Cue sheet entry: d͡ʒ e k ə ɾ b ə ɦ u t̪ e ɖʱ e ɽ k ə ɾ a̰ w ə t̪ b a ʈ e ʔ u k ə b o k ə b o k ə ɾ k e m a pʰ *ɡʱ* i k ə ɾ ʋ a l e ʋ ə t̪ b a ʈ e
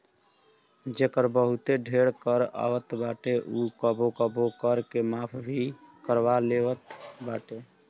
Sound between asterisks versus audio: incorrect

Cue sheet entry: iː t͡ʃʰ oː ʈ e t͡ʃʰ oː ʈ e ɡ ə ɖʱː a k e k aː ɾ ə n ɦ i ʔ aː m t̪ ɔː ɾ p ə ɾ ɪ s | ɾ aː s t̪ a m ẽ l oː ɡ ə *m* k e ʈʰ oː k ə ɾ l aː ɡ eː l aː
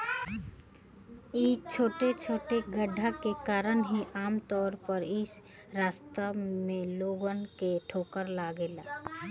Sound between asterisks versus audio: incorrect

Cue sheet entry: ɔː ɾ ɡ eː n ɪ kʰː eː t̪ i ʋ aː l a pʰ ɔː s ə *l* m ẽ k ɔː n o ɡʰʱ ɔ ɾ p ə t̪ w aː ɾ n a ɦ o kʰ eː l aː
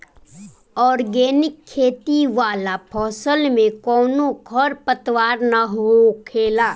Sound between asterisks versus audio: correct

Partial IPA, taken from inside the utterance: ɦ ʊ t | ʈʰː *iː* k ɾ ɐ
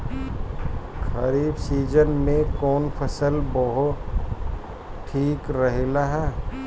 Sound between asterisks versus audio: correct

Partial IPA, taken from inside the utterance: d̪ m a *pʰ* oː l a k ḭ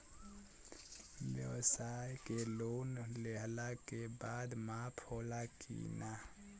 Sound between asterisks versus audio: correct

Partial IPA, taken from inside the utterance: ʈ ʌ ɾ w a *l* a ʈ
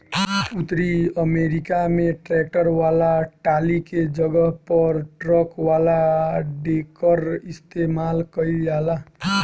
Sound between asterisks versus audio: correct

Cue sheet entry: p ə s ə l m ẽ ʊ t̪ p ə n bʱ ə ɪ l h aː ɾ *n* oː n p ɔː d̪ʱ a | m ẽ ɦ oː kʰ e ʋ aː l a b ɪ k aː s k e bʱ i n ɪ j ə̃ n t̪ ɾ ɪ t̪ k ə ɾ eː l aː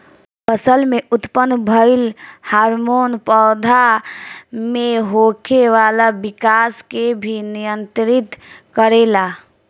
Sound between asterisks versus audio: incorrect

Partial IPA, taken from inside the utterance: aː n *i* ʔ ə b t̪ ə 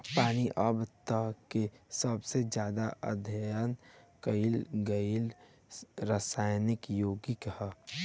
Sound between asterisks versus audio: correct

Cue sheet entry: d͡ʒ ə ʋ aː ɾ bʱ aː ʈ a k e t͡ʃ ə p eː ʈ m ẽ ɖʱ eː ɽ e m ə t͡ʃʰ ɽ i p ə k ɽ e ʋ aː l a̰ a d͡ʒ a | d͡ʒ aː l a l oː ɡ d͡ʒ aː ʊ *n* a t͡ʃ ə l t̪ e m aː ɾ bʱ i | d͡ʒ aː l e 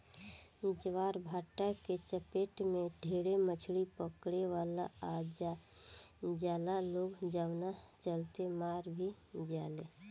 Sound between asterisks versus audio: correct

